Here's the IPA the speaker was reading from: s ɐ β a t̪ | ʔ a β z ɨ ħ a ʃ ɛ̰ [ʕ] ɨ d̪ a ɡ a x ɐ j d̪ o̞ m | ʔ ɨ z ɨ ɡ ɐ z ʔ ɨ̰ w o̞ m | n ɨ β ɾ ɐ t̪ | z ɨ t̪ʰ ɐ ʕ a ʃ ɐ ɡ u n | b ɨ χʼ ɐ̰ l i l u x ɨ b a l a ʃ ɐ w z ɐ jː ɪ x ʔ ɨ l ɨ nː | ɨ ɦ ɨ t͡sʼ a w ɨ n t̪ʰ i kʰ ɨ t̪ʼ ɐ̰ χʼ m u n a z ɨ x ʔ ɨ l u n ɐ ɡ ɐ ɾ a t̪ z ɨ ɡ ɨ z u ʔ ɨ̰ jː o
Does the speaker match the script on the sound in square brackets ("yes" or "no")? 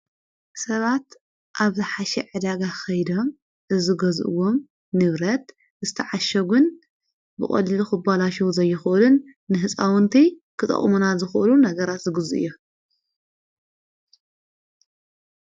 yes